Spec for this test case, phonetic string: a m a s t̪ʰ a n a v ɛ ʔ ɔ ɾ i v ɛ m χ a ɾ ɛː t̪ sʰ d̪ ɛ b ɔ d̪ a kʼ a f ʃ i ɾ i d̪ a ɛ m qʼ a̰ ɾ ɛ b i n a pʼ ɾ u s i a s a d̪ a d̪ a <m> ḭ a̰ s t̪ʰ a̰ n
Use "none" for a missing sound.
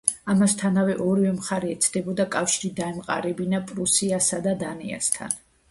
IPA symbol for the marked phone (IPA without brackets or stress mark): n